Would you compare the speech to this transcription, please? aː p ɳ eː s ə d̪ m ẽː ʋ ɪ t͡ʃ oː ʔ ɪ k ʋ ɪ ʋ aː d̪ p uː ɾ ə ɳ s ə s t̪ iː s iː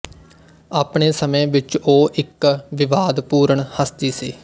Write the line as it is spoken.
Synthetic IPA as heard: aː p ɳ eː s ə m ẽː ʋ ɪ t͡ʃ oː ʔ ɪ k ʋ ɪ ʋ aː d̪ p uː ɾ ə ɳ h ə s t̪ iː s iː